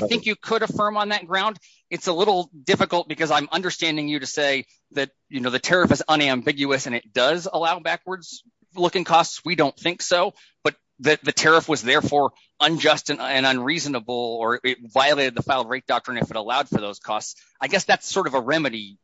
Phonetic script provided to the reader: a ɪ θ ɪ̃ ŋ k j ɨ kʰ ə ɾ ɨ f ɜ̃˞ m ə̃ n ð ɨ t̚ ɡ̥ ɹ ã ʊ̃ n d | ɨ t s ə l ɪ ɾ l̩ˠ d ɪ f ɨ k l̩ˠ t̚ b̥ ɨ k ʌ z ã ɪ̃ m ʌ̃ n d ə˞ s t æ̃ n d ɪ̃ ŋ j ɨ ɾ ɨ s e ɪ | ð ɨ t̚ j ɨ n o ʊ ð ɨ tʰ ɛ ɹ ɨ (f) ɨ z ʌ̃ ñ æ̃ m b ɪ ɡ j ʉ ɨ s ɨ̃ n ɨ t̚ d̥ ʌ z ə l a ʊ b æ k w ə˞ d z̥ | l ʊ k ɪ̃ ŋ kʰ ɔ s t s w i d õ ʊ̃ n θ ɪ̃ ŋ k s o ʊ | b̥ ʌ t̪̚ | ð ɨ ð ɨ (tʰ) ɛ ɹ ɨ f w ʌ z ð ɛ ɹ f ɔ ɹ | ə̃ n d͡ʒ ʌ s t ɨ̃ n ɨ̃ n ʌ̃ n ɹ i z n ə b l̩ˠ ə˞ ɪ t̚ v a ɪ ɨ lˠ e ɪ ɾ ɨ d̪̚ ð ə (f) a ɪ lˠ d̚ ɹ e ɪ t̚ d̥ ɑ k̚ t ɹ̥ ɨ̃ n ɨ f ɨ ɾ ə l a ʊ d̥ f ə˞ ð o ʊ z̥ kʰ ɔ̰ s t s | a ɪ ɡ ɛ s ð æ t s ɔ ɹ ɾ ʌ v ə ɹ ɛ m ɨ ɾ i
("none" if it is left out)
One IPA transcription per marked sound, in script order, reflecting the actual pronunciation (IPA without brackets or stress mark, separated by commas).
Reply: f, tʰ, f